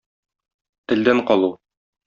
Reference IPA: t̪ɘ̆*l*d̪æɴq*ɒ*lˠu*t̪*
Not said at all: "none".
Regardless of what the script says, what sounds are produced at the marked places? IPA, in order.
l, ɒ, none

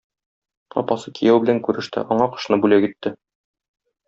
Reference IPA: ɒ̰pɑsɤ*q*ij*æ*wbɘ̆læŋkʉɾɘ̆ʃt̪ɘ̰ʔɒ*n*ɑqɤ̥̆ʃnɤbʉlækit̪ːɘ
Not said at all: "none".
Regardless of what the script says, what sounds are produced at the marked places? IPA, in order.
k, æ, ɴ

